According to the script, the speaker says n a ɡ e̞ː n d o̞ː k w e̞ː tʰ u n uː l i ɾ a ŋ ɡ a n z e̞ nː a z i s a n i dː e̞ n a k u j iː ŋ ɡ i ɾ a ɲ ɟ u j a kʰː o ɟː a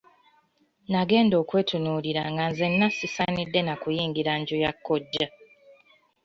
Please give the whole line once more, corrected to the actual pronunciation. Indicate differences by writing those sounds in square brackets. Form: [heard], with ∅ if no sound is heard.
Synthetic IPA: n a ɡ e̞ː n d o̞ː k w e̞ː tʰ u n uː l i ɾ a ŋ ɡ a n z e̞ nː a [s] i s a n i dː e̞ n a k u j iː ŋ ɡ i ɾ a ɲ ɟ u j a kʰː o ɟː a